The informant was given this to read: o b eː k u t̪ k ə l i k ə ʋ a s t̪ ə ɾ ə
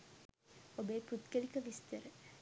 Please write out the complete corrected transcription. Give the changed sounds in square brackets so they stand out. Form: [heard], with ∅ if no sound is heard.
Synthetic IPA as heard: o b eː [p] u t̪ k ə l i k ə ʋ [i] s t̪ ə ɾ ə